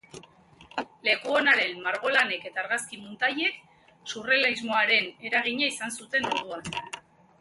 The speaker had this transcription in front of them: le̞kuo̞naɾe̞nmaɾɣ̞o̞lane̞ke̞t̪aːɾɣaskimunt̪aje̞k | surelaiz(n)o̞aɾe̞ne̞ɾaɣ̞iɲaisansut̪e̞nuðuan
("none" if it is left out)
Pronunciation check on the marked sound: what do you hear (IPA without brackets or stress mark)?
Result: m